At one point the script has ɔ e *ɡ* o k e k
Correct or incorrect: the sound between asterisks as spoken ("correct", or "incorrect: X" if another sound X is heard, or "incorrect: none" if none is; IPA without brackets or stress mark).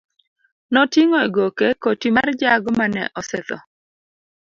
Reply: correct